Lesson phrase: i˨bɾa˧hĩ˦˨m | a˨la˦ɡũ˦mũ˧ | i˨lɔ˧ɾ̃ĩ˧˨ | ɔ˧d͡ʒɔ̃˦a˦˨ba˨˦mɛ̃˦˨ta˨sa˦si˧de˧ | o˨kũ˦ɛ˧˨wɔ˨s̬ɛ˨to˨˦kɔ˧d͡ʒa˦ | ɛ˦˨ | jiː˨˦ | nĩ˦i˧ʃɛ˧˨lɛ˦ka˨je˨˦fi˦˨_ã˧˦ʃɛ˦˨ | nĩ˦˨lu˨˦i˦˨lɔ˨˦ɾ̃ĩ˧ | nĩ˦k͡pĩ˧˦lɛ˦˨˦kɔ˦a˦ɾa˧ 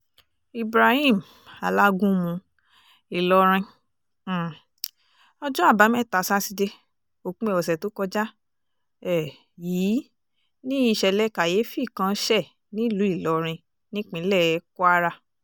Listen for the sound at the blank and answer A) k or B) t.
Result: A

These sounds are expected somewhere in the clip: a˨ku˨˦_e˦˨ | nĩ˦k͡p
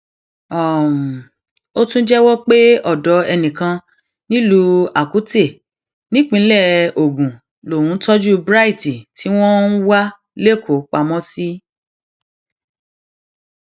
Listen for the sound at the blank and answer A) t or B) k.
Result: A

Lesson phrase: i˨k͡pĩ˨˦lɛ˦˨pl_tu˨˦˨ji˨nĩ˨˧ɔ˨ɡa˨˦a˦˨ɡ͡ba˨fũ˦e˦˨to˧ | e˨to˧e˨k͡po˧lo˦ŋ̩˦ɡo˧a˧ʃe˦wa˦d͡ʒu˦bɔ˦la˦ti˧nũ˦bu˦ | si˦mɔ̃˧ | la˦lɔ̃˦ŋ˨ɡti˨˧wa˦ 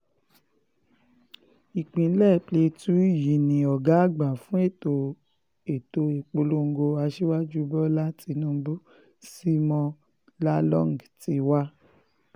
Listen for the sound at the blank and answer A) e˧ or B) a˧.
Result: A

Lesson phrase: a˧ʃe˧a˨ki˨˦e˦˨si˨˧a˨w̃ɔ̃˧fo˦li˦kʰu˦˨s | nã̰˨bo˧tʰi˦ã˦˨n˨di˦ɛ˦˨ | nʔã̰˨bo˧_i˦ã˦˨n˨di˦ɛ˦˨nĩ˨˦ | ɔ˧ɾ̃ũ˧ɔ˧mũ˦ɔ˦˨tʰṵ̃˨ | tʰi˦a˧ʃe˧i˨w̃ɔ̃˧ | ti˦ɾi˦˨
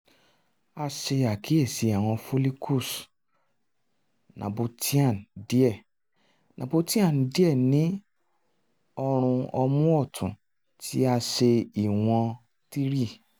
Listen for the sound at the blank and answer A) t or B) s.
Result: A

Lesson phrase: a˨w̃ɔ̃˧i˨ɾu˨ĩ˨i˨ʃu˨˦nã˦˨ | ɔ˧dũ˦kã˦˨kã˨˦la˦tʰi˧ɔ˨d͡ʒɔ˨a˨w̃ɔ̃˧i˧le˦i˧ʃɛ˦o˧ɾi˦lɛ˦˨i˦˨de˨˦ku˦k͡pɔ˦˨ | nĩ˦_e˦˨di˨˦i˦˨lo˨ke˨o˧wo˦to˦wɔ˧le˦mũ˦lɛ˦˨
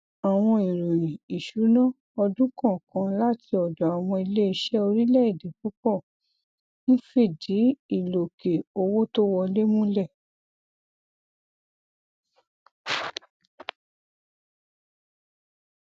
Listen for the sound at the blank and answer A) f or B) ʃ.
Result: A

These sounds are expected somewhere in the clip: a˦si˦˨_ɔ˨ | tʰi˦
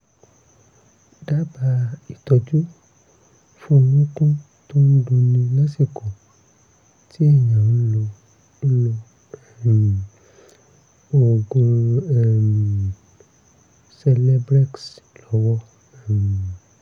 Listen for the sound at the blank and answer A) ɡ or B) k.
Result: B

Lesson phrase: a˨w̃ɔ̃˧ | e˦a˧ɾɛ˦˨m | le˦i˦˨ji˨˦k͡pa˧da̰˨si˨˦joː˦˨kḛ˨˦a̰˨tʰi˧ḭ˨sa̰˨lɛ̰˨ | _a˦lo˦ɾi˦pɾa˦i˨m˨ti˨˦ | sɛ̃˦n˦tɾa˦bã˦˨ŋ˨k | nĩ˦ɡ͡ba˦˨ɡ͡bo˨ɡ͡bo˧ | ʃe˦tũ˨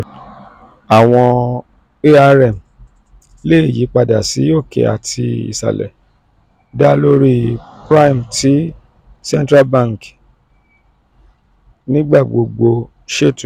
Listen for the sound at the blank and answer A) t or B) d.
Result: B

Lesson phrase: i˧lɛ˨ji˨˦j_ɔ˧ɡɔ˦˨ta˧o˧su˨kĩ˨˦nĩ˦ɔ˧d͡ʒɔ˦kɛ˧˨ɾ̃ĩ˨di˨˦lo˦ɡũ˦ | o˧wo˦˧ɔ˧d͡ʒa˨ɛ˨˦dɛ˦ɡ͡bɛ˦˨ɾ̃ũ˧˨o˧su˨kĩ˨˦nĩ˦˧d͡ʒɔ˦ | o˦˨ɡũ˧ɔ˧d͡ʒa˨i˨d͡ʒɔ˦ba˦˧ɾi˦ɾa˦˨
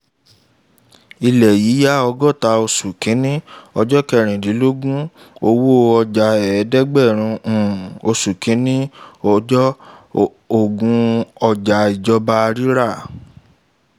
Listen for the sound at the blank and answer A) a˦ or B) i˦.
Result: A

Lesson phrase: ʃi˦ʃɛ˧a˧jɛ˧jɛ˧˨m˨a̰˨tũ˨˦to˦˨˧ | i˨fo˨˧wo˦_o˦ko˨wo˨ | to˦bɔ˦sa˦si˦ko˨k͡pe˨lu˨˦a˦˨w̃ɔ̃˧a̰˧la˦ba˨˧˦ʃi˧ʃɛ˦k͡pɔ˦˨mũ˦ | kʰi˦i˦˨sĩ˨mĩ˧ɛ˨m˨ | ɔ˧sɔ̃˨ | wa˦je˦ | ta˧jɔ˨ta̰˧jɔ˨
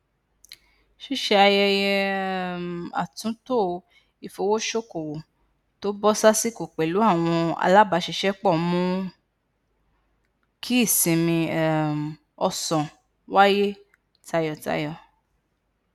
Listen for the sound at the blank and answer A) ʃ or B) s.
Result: A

